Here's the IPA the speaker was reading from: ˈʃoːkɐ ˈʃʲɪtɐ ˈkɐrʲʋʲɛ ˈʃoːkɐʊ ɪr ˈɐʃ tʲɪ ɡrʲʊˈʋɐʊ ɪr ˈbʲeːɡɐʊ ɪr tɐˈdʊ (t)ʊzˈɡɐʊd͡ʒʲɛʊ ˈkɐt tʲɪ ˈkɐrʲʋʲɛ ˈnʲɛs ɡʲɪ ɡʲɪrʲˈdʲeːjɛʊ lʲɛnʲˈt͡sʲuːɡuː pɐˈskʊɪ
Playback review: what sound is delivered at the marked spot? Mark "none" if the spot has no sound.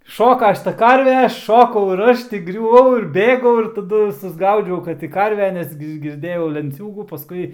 s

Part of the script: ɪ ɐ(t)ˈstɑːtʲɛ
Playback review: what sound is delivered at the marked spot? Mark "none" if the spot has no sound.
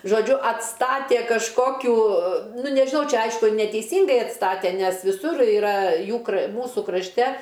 t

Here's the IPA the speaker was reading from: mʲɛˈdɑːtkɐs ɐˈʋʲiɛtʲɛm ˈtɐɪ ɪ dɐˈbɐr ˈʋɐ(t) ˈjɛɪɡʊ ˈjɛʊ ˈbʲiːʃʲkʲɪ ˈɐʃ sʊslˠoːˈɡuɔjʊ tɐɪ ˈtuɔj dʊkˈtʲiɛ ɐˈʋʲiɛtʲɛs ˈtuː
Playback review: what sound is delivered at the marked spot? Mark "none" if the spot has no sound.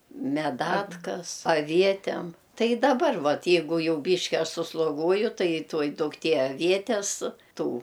t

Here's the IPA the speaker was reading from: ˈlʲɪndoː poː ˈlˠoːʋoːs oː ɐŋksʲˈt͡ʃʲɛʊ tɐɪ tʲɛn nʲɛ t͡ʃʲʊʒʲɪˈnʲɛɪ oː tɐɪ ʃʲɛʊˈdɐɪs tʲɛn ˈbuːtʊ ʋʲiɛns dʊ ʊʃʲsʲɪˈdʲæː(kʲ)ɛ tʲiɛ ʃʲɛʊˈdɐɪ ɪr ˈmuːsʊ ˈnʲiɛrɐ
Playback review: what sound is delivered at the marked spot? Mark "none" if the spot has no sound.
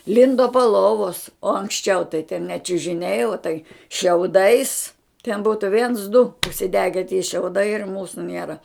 ɡʲ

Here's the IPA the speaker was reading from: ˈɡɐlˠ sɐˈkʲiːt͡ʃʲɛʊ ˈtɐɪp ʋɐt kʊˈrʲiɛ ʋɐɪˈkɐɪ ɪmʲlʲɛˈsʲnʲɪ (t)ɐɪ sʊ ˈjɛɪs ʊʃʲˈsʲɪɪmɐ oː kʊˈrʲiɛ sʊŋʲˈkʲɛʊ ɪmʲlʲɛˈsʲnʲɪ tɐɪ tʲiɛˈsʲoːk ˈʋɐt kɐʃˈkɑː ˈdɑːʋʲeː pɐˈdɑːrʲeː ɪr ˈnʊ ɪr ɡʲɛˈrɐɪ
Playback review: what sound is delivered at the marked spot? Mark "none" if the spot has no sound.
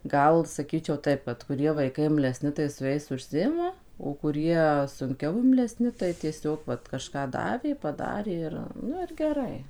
t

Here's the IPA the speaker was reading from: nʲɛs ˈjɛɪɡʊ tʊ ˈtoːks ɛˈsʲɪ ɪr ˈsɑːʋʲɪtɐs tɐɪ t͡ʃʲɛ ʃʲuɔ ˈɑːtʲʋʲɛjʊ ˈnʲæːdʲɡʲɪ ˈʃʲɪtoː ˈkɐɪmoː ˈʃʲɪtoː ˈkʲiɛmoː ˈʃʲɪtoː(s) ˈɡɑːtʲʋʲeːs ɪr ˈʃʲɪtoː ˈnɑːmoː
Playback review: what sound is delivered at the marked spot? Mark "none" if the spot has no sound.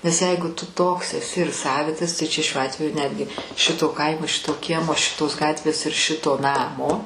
s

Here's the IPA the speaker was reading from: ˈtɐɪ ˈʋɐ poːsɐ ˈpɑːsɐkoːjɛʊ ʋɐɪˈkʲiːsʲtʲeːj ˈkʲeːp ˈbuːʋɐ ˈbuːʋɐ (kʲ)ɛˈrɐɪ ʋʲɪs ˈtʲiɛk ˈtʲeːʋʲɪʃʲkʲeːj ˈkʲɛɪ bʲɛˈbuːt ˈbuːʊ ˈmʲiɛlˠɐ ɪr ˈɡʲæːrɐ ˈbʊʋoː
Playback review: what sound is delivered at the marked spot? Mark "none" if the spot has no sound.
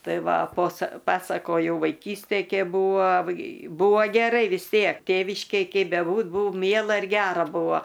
ɡʲ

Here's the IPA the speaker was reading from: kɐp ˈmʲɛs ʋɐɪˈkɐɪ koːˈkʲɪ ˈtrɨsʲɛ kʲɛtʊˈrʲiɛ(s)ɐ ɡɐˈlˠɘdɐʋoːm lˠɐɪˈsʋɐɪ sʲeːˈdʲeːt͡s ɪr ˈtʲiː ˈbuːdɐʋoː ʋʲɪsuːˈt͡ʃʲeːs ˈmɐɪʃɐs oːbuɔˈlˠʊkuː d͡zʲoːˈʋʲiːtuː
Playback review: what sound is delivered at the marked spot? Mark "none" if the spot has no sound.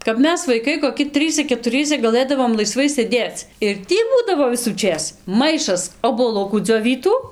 s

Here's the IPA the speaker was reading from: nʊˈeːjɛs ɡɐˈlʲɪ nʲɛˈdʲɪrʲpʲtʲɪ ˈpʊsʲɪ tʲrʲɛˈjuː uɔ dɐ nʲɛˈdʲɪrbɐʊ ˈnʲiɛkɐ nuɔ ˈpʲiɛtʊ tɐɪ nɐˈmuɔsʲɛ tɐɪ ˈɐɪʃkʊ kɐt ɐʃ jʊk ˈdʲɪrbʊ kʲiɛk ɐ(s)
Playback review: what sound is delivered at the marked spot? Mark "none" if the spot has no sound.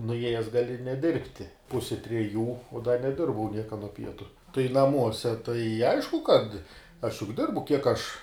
ʃ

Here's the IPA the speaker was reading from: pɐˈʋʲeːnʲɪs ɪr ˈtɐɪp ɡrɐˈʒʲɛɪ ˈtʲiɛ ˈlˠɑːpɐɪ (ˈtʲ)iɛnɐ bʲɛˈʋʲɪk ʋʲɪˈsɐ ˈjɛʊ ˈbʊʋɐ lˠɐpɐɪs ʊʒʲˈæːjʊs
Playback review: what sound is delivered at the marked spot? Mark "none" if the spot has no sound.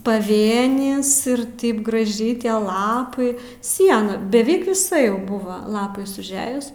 sʲ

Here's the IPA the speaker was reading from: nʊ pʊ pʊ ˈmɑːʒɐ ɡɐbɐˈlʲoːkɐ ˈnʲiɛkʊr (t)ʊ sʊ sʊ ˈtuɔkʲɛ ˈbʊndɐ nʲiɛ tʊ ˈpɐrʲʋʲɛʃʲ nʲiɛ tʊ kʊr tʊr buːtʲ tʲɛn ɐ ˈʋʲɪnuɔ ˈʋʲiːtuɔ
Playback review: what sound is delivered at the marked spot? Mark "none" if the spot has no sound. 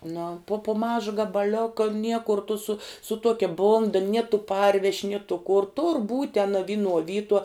t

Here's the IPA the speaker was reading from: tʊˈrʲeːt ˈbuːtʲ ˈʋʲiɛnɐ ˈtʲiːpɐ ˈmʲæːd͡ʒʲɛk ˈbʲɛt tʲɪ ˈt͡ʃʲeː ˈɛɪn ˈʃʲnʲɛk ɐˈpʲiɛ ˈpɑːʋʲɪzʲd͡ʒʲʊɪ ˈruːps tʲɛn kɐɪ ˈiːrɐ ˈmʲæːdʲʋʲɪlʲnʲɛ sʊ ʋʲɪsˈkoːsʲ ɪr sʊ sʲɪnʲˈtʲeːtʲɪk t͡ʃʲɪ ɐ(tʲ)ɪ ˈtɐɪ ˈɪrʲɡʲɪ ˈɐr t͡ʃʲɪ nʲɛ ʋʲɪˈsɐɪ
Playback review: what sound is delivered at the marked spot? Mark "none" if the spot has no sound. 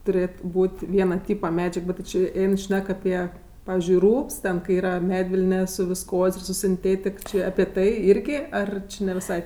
pʲ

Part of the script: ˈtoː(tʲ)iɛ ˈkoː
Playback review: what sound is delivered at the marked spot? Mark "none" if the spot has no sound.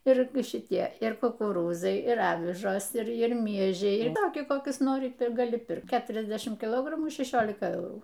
kʲ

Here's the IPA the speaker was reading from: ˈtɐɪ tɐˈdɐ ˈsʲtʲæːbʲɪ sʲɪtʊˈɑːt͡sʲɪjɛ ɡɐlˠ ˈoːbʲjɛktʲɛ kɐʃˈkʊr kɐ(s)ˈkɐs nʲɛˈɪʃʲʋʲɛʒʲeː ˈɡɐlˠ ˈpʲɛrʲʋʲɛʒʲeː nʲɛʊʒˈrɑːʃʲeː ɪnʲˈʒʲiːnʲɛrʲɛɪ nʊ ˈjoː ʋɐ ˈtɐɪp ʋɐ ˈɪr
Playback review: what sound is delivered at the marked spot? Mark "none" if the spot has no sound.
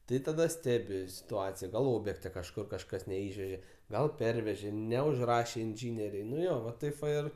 ʃ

